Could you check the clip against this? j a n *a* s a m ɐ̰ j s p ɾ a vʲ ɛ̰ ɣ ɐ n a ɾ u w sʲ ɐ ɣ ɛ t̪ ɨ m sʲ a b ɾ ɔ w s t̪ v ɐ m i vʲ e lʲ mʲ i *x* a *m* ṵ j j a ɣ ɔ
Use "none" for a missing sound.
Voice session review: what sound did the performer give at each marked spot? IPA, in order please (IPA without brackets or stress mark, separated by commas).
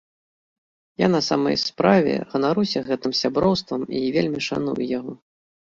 ɐ, ʂ, n